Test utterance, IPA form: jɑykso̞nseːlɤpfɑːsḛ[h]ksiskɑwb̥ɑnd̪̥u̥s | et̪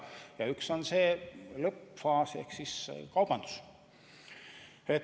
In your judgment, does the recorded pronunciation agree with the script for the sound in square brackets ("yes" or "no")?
yes